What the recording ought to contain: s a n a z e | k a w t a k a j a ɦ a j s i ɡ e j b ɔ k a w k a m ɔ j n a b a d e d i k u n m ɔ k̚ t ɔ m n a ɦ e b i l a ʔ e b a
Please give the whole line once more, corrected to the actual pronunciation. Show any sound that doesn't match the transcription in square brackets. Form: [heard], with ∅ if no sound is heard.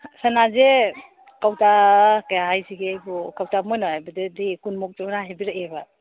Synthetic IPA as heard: s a n a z e | k a w t a k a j a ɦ a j s i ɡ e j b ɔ k a w [t] a m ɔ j n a b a d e d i k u n m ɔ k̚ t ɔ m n a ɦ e b i [ɾ] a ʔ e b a